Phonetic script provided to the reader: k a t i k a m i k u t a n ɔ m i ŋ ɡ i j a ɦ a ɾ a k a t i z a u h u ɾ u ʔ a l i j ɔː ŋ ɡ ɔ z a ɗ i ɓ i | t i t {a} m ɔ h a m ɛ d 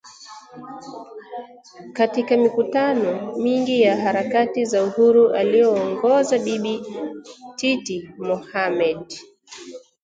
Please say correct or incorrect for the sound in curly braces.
incorrect